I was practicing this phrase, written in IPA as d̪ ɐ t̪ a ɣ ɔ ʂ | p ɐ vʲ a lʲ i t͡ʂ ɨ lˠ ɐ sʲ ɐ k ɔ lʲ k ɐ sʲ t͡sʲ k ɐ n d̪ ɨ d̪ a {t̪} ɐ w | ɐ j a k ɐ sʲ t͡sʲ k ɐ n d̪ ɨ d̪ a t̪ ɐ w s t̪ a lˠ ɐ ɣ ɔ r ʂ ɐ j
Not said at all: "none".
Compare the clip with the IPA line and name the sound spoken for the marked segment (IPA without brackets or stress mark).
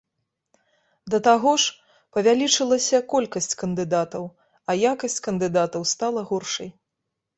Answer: t̪